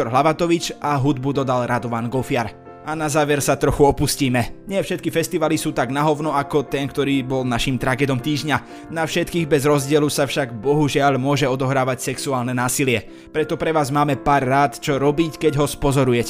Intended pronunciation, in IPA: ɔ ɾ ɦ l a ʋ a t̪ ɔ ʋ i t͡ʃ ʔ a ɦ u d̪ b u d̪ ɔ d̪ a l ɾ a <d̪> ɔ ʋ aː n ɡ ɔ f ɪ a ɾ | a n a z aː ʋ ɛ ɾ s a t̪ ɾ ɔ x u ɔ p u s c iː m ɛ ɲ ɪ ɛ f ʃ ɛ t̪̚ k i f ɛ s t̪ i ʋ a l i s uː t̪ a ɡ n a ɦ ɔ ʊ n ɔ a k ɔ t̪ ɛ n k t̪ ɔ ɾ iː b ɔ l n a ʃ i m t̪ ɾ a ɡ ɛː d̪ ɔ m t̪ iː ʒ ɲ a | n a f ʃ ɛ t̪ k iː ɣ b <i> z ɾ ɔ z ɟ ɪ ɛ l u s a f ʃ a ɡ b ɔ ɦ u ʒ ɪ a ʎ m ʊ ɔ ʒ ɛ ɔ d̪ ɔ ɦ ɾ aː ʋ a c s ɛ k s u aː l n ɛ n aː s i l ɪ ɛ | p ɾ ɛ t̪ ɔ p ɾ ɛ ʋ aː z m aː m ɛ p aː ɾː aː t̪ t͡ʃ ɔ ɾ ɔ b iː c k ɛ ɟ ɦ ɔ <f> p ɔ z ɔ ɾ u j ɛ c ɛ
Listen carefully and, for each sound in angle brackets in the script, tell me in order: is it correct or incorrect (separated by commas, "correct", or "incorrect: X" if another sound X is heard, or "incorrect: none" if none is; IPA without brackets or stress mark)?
correct, incorrect: ɛ, incorrect: s